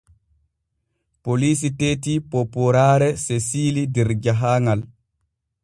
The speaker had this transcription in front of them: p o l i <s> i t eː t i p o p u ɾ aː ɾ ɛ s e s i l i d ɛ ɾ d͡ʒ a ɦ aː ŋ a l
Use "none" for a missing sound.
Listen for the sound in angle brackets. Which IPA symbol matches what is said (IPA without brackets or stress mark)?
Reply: s